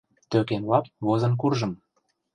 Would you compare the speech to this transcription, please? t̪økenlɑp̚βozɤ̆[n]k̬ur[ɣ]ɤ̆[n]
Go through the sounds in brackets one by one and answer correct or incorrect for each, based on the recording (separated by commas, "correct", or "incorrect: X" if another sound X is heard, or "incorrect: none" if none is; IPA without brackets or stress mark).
correct, incorrect: ʒ, incorrect: m